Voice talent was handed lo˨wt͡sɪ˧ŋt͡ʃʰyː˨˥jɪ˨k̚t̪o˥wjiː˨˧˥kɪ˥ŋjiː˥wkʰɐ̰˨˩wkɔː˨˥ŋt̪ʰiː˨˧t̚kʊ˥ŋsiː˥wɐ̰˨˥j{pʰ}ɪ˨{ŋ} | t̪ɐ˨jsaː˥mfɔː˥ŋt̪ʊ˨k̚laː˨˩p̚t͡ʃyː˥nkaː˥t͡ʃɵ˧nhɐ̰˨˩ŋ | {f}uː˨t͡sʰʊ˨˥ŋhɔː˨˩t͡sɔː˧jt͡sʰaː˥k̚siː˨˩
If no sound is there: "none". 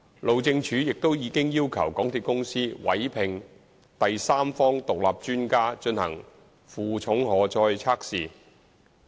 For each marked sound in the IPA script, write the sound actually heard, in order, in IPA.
pʰ, ŋ, f

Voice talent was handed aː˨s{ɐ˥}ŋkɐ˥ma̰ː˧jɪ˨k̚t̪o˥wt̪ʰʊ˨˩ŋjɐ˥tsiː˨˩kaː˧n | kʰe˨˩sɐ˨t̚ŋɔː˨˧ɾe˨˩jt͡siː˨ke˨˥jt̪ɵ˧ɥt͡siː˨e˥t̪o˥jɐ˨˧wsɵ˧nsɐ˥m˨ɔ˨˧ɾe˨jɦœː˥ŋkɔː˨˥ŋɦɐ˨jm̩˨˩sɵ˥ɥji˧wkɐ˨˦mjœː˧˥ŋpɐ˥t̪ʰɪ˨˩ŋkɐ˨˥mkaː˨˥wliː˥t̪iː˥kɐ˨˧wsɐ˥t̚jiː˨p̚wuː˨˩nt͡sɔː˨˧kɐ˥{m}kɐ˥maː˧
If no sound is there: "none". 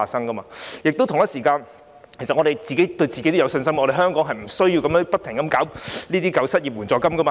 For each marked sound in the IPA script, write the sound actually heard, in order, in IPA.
ɐ˥, m

